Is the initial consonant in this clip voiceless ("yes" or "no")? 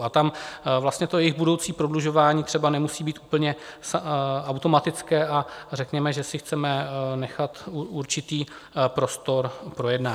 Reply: yes